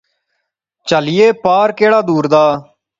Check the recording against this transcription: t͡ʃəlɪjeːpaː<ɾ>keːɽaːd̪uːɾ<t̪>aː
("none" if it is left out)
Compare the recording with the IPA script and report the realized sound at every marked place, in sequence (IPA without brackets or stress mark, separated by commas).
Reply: ɾ, d̪